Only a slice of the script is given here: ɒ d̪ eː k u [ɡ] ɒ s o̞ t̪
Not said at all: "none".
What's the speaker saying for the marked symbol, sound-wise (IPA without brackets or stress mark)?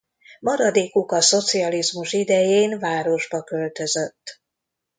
k